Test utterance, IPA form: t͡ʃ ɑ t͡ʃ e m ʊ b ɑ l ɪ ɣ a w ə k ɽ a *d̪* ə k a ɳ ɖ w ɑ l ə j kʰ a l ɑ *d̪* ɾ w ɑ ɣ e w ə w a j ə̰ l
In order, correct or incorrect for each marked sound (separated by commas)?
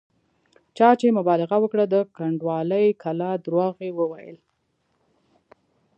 correct, correct